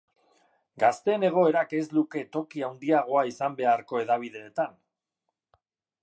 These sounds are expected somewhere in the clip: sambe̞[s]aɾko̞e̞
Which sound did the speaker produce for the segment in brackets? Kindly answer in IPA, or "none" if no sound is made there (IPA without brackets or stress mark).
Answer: none